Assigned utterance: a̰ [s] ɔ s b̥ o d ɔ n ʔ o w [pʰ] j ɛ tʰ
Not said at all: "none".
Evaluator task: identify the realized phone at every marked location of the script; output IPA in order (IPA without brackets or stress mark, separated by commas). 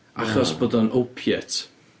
χ, pʰ